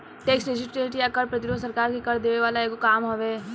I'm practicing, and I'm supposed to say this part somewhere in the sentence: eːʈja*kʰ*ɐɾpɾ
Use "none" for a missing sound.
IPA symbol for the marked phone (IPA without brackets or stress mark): k